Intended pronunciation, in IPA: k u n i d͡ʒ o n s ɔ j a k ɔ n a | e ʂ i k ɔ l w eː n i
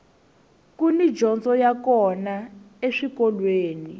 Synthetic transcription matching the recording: k u n i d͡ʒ ɔ n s ɔ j a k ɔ n a | e ʂ i k ɔ l w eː n i